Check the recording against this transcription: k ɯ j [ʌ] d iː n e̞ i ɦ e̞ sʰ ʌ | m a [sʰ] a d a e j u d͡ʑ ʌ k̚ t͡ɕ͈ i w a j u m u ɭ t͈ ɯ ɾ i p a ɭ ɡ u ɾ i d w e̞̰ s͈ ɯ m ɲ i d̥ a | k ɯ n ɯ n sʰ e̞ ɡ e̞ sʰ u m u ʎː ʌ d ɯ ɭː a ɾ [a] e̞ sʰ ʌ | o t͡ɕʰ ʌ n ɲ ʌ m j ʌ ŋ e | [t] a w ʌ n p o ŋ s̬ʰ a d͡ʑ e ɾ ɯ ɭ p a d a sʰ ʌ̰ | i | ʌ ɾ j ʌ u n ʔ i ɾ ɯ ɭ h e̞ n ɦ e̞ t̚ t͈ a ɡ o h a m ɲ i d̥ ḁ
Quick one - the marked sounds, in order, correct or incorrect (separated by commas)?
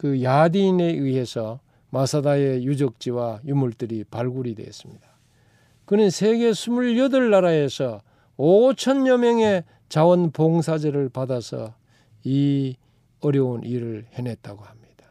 incorrect, correct, correct, incorrect